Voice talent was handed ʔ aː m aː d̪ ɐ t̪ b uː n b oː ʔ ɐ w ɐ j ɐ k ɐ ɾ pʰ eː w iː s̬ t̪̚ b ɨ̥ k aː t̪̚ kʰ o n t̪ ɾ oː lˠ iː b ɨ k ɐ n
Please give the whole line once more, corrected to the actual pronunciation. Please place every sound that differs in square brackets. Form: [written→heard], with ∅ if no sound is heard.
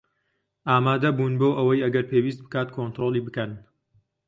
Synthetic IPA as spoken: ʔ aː m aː d̪ ɐ [t̪→∅] b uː n b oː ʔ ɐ w ɐ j ɐ [k→ɡ] ɐ ɾ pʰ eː w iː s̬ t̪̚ b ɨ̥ k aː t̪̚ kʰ o n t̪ ɾ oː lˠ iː b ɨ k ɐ n